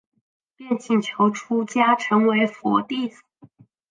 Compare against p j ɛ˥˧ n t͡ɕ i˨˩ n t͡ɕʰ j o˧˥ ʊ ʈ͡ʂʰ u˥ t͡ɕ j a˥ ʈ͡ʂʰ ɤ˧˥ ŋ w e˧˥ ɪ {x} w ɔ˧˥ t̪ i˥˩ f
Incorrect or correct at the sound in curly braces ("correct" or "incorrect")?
incorrect